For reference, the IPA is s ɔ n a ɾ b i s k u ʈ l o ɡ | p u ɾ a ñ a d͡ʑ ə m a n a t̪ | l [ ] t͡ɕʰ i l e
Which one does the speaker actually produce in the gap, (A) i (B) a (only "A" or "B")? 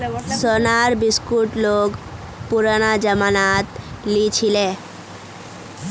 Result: A